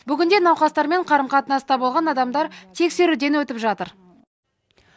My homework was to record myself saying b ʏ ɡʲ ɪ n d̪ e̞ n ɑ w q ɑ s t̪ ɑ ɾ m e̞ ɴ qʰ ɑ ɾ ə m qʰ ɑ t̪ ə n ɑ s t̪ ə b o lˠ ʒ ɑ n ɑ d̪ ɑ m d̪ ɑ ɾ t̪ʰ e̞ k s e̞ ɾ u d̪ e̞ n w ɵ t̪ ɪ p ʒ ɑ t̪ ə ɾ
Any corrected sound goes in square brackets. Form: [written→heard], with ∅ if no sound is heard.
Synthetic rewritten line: b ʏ ɡʲ ɪ n d̪ e̞ n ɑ w q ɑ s t̪ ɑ ɾ m e̞ ɴ qʰ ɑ ɾ ə m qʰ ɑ t̪ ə n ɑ s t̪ [ə→ɑ] b o lˠ [ʒ→ʁ] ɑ n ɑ d̪ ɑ m d̪ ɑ ɾ t̪ʰ e̞ k s e̞ ɾ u d̪ e̞ n w ɵ t̪ ɪ p ʒ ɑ t̪ ə ɾ